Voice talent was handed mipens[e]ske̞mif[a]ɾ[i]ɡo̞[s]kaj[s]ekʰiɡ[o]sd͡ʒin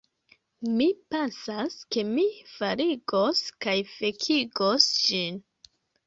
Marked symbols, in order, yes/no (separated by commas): no, yes, yes, yes, no, yes